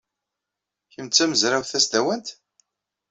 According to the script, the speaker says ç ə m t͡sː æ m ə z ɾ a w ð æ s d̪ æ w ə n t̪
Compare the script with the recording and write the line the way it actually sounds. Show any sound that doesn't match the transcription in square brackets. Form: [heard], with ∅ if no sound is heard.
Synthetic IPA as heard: ç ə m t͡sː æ m ə z ɾ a w [θ] æ s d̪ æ w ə n t̪